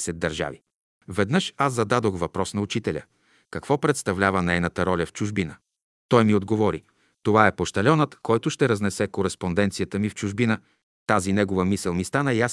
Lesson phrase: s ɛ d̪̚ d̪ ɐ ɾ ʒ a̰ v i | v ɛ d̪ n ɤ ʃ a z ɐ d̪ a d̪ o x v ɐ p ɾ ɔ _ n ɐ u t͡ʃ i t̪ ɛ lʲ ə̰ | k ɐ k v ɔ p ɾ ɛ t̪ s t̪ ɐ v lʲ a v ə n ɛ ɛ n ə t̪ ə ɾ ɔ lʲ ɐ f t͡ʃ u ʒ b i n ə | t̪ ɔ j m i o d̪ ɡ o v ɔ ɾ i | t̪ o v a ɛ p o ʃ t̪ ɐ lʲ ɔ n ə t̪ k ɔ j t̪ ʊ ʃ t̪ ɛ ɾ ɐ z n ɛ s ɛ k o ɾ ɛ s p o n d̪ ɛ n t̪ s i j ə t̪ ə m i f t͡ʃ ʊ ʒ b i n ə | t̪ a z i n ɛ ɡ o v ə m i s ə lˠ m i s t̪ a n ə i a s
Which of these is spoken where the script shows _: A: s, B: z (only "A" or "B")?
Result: A